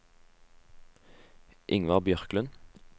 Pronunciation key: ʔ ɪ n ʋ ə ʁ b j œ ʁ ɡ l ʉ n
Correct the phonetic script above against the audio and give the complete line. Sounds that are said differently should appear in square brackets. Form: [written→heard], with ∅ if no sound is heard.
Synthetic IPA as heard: ʔ ɪ [n→ŋ] ʋ [ə→ɑ] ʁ b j œ ʁ [ɡ→k] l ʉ n